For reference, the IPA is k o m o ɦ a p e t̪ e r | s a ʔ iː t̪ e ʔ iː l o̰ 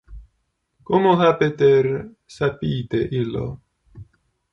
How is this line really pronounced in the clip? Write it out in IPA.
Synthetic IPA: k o m o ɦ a p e t̪ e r | s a p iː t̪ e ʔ i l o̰